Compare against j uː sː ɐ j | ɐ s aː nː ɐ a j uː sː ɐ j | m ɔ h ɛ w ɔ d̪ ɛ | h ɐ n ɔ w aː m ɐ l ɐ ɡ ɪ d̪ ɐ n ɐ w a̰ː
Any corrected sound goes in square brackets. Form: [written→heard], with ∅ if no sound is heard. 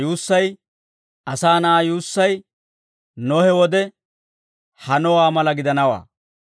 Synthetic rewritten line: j uː sː ɐ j | ɐ s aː [nː→n] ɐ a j uː sː ɐ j | [m→n] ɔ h ɛ w ɔ d̪ ɛ | h ɐ n ɔ w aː m ɐ l ɐ ɡ ɪ d̪ ɐ n ɐ w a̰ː